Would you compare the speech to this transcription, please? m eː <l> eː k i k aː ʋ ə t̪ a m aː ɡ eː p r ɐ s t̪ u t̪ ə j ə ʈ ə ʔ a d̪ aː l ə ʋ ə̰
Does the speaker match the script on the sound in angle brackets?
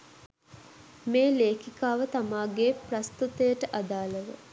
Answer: yes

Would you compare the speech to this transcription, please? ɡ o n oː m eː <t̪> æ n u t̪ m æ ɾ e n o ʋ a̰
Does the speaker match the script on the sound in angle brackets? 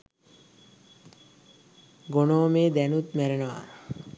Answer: no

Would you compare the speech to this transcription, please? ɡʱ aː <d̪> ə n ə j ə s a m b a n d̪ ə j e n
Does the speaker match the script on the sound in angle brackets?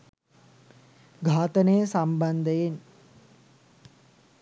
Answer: no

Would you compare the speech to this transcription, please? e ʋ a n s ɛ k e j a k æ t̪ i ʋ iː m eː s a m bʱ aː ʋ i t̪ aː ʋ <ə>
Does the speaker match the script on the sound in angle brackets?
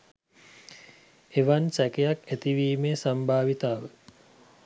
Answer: yes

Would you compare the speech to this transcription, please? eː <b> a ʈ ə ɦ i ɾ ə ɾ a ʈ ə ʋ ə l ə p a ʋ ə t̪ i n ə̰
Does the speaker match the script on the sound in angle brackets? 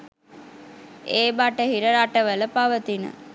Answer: yes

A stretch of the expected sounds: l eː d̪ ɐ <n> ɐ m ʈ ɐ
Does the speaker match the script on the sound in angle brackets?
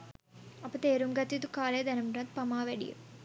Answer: yes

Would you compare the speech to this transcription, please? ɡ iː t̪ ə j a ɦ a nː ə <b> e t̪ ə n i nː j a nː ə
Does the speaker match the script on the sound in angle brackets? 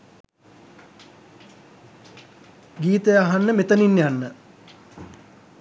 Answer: no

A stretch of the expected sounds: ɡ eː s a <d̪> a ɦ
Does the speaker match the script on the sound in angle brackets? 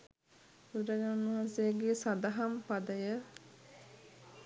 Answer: yes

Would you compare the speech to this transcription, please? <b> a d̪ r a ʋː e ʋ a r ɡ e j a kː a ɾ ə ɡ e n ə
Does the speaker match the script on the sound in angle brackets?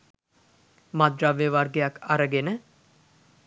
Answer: no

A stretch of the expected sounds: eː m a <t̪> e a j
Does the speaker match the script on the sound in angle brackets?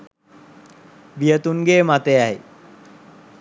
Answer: yes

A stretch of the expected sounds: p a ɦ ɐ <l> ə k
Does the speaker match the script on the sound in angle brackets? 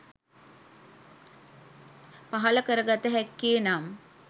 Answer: yes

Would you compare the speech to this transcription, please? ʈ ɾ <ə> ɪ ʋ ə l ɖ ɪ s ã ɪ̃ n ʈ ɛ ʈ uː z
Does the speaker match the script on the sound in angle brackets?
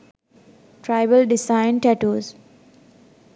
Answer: no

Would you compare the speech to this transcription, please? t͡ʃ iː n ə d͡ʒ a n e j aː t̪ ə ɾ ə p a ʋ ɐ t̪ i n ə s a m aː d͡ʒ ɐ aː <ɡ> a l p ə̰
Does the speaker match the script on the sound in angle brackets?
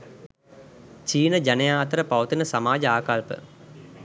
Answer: no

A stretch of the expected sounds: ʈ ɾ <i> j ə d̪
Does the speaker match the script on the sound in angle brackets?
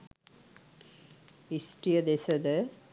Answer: yes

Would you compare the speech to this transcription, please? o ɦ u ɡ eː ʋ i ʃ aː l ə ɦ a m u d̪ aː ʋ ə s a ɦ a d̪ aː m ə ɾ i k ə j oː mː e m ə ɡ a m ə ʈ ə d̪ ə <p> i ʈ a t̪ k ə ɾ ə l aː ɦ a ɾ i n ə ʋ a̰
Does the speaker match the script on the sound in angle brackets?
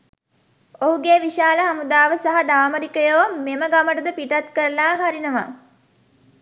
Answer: yes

